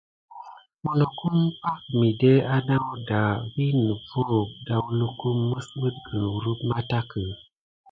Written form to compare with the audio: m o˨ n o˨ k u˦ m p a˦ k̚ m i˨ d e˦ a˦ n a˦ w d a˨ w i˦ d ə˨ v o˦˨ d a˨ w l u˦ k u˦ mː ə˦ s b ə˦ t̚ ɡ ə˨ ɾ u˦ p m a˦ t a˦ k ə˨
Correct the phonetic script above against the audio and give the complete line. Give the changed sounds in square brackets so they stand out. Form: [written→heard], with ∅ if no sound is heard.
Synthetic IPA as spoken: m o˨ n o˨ k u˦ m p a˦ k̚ m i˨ d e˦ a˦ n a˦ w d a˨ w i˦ [d→n] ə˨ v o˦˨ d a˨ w l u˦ k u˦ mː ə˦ s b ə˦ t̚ ɡ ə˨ ɾ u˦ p m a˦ t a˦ k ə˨

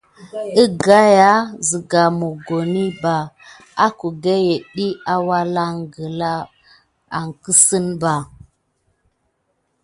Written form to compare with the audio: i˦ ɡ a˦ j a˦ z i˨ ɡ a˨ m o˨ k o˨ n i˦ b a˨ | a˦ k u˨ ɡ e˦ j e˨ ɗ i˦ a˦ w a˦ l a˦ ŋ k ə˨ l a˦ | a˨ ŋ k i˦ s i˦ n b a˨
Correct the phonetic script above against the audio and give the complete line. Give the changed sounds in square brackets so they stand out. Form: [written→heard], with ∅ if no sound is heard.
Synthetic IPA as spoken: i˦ ɡ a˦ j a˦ z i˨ ɡ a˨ m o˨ [k→ɡ] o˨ n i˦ b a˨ | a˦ k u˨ ɡ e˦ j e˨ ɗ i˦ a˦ w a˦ l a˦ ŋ [k→ɡ] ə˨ l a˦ | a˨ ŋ k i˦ s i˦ n b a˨

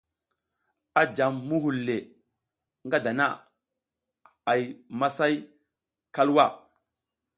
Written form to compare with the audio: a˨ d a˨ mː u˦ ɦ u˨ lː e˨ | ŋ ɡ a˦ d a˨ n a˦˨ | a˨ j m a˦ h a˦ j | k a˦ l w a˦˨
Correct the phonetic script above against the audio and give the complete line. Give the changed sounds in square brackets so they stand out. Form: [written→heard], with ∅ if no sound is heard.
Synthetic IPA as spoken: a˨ [d→d͡ʒ] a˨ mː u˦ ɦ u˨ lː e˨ | ŋ ɡ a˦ d a˨ n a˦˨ | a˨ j m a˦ [h→s] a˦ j | k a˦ l w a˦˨

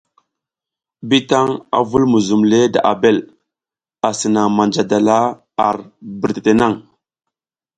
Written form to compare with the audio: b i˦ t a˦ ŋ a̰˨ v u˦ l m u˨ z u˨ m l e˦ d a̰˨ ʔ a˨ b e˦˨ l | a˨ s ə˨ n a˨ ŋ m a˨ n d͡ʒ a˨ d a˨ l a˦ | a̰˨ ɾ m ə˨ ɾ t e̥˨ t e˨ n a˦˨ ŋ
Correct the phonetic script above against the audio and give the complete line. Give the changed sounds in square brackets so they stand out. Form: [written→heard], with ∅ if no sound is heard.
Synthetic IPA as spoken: b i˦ t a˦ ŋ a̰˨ v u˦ l m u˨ z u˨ m l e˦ d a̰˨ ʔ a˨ b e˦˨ l | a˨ s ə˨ n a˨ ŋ m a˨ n d͡ʒ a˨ d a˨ l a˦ | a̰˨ ɾ [m→b] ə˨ ɾ t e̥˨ t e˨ n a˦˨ ŋ

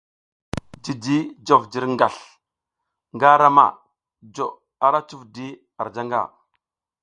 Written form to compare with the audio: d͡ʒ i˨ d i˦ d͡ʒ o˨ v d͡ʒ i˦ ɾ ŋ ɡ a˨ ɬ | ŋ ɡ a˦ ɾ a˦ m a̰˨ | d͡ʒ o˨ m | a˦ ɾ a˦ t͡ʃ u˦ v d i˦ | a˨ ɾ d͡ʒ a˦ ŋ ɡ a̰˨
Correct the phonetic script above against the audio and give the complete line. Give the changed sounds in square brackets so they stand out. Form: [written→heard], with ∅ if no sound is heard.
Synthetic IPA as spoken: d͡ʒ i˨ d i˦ d͡ʒ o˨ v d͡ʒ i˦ ɾ ŋ ɡ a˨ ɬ | ŋ ɡ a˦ ɾ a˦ m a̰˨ | d͡ʒ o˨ [m→∅] | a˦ ɾ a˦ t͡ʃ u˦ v d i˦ | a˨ ɾ d͡ʒ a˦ ŋ ɡ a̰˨

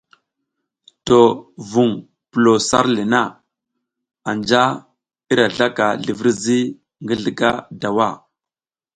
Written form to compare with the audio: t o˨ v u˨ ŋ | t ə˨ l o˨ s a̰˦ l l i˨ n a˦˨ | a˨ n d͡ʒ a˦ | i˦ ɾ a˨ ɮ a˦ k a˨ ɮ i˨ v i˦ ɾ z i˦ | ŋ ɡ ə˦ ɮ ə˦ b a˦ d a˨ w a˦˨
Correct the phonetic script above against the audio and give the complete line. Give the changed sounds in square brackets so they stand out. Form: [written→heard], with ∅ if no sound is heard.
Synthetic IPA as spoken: t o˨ v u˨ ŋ | [t→p] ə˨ l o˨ s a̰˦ [l→ɾ] l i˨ n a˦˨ | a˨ n d͡ʒ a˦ | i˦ ɾ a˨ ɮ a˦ k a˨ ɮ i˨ v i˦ ɾ z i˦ | ŋ ɡ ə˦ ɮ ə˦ [b→ɡ] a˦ d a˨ w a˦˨

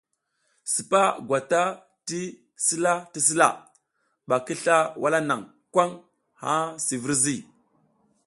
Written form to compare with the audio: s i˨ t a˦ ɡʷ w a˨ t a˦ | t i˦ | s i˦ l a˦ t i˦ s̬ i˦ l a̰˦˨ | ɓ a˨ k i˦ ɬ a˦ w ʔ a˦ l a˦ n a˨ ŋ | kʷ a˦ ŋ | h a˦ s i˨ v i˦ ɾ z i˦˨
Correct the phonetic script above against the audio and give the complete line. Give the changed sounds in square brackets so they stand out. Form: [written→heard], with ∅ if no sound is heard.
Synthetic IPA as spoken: s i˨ [t→p] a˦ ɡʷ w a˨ t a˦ | t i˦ | s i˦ l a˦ t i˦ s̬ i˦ l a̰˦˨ | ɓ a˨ k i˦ ɬ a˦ w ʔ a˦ l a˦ n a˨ ŋ | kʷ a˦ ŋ | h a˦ s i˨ v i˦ ɾ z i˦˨

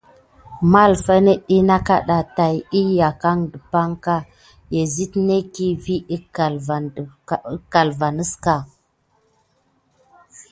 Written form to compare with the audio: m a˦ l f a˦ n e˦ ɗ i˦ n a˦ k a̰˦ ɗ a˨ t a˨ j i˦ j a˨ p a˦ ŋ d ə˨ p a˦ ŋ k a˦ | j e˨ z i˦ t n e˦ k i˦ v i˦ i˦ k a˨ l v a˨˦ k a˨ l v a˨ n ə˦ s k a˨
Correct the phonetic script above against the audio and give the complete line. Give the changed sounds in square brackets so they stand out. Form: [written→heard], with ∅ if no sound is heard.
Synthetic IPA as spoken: m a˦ l f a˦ n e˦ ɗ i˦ n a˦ k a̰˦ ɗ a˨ t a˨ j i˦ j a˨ [p→k] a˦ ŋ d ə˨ p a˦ ŋ k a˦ | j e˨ z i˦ t n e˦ k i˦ v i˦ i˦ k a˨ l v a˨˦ k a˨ l v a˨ n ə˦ s k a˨

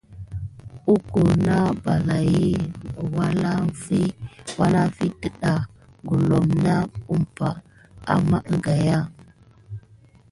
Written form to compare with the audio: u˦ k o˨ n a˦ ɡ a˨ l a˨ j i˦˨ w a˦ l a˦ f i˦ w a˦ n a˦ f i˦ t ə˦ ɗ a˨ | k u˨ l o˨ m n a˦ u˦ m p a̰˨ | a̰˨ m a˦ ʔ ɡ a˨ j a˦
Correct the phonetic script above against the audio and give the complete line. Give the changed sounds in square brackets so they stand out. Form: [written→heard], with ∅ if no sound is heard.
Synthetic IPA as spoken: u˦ k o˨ n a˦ [ɡ→b] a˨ l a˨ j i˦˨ w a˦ l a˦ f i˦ w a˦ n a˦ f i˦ t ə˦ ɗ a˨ | [k→ɡ] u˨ l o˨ m n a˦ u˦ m p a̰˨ | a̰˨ m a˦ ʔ ɡ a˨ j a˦

